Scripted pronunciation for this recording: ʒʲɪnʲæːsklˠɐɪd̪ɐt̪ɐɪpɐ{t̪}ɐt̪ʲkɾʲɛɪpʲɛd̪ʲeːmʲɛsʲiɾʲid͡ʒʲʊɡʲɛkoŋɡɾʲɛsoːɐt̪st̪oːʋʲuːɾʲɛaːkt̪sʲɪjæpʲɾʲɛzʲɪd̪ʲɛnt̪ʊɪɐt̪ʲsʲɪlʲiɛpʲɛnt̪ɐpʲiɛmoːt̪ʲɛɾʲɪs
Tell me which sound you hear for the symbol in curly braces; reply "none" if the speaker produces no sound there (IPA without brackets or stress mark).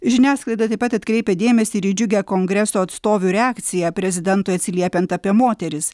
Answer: t̪